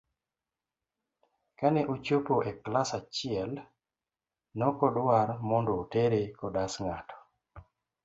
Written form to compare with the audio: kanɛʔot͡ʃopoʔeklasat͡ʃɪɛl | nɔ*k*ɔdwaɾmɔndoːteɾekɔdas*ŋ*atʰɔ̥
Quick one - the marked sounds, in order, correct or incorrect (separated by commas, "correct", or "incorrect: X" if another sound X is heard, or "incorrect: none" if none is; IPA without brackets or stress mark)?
correct, correct